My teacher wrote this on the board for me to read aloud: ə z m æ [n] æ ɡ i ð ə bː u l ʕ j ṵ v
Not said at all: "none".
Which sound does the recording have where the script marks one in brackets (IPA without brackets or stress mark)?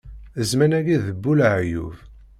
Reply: n